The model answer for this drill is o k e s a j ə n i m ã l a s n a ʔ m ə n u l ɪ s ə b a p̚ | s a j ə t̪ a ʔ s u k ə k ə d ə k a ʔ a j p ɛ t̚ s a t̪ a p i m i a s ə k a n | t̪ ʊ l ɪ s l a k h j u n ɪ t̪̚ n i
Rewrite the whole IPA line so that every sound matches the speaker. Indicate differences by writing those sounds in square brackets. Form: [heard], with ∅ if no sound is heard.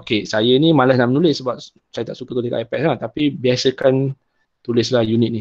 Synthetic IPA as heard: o k e s a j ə n i m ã l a s n a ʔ m ə n u l ɪ s ə b a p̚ | s a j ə t̪ a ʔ s u k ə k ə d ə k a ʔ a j p ɛ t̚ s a t̪ a p i [b] i a s ə k a n | t̪ [u] l ɪ s l a [∅] h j u n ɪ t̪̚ n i